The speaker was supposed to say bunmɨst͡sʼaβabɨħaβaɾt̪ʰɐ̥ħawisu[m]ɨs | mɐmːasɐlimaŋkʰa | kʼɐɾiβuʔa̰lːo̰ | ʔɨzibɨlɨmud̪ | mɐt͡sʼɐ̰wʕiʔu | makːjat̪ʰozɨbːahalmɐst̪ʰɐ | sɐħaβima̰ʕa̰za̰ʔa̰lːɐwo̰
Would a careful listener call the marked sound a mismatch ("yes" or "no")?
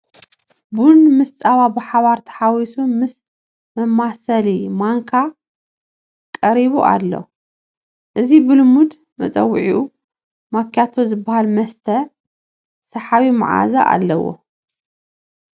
no